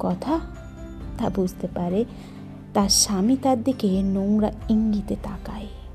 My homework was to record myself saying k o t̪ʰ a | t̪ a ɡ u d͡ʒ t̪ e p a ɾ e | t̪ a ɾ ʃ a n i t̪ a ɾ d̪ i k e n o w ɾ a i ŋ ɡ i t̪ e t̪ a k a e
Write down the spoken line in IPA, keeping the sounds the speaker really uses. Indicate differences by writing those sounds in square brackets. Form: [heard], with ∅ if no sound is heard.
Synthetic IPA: k [ɔ] t̪ʰ a | t̪ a [b] u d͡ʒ t̪ e p a ɾ e | t̪ a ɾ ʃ a [m] i t̪ a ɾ d̪ i k e n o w ɾ a i ŋ ɡ i t̪ e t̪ a k a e